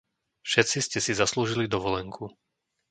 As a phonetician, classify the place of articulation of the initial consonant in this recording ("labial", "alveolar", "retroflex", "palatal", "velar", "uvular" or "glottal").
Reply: labial